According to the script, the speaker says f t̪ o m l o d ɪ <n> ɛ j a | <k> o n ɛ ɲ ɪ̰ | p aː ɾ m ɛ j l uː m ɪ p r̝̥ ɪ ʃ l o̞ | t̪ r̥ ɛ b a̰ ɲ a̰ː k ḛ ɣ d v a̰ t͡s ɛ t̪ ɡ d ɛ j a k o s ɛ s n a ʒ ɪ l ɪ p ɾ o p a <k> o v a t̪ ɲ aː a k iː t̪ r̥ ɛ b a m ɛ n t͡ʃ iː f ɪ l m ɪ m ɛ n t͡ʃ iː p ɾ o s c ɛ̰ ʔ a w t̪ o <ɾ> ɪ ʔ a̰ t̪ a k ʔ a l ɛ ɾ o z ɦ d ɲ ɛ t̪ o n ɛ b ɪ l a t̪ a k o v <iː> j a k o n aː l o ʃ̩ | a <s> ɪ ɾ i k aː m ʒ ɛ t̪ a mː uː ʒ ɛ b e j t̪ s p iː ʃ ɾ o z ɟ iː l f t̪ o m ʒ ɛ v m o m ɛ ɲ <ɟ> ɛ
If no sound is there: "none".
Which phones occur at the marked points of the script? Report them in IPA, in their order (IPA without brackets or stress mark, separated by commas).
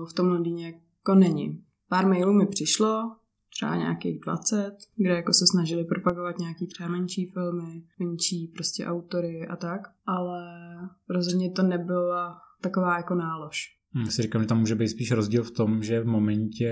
ɲ, k, ɡ, ɾ, aː, s, c